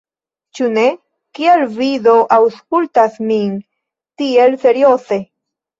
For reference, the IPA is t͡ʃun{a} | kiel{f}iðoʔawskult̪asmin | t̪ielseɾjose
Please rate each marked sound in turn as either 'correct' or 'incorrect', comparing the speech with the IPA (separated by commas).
incorrect, incorrect